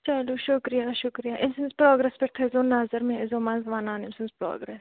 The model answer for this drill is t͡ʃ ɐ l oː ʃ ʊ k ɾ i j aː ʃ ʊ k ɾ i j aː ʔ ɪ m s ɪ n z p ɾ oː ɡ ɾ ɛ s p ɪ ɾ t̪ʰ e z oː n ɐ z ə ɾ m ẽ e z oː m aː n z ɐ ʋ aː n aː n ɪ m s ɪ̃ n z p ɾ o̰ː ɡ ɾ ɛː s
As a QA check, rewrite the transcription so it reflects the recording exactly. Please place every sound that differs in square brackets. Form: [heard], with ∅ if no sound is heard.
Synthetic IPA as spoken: t͡ʃ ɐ l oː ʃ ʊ k ɾ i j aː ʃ ʊ k ɾ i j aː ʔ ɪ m s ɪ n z p ɾ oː ɡ ɾ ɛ s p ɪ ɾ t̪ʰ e z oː n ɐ z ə ɾ m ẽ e z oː m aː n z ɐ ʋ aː n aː n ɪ m s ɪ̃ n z p ɾ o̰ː ɡ ɾ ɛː s